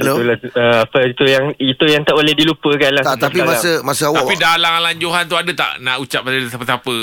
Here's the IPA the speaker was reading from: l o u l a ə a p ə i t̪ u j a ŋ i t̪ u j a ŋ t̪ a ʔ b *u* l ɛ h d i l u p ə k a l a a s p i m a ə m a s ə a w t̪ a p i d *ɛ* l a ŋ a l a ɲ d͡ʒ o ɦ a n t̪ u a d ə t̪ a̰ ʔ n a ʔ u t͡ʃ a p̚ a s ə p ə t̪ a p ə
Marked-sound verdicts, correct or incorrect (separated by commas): incorrect, incorrect